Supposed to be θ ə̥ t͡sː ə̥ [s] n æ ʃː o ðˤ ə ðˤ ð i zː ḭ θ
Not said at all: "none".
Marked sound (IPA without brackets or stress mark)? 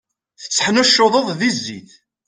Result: ħ